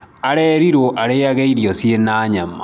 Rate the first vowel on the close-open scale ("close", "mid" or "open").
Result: open